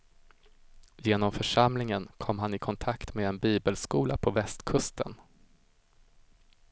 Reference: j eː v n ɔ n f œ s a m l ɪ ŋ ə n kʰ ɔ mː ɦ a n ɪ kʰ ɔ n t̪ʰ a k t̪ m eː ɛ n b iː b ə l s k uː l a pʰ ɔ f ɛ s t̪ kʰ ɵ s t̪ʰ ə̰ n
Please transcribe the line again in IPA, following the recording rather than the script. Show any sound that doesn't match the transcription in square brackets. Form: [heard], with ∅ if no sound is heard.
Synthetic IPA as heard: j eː [∅] n ɔ [m] f œ [ʂ] a m l ɪ ŋ ə n kʰ ɔ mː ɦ a n ɪ kʰ ɔ n t̪ʰ a k t̪ m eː ɛ n b iː b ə l s k uː l a pʰ ɔ [v] ɛ s t̪ kʰ ɵ s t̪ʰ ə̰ n